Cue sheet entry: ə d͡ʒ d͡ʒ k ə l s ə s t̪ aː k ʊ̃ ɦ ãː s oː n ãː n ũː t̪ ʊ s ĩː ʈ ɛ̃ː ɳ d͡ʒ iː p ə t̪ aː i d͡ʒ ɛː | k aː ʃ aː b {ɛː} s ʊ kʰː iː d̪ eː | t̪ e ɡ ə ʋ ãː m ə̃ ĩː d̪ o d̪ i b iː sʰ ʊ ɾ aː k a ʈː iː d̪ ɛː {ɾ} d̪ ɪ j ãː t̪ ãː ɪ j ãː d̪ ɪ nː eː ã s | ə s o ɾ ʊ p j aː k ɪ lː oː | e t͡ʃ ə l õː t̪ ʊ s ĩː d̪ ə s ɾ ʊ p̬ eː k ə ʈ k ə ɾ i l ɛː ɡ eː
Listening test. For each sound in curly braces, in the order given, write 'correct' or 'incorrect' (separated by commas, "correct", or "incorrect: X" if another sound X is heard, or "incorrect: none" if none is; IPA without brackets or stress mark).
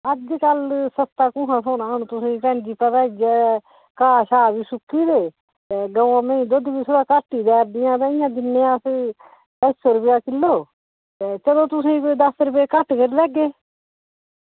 incorrect: iː, correct